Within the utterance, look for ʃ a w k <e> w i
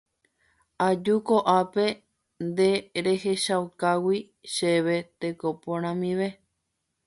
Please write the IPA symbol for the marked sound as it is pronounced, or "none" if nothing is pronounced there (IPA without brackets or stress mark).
a